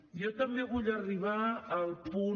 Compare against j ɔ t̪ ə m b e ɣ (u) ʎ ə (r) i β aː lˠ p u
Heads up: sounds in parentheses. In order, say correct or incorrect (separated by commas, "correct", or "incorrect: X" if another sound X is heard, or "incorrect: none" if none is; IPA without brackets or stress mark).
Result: correct, correct